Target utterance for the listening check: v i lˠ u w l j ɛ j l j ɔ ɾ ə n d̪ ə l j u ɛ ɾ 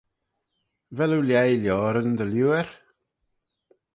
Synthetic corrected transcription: v ɛ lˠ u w l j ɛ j l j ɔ ɾ ə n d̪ ə l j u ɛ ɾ